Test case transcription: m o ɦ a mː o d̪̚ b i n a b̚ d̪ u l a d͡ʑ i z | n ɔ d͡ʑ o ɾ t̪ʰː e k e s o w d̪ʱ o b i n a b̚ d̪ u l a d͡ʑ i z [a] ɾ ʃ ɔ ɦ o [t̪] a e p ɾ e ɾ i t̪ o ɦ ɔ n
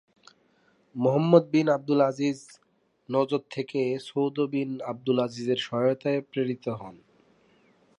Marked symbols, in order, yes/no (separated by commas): no, yes